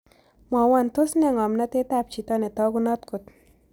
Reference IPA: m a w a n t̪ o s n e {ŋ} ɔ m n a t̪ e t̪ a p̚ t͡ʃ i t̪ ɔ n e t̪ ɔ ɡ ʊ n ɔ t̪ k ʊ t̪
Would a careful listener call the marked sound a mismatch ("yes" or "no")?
no